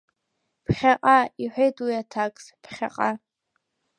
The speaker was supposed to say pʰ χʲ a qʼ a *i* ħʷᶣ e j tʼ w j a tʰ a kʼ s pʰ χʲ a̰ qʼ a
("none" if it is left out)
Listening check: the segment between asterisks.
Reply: i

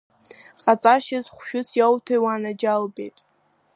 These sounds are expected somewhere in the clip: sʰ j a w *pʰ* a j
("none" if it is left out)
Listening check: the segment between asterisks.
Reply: tʰ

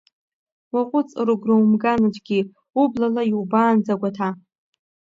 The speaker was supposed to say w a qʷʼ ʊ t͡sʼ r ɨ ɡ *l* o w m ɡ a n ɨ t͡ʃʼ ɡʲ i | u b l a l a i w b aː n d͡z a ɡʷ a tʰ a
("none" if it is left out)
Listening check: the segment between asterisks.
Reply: r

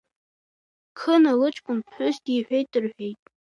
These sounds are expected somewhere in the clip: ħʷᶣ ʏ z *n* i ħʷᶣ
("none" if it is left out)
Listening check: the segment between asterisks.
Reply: d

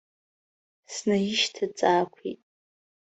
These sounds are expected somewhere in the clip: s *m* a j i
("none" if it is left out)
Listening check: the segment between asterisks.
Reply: n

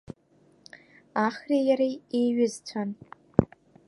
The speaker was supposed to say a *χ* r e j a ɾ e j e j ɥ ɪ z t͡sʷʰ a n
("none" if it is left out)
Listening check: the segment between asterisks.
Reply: χ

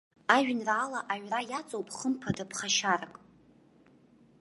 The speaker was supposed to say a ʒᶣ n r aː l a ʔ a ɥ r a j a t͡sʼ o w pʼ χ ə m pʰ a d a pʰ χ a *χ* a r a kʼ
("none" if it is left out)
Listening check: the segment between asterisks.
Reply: ʃ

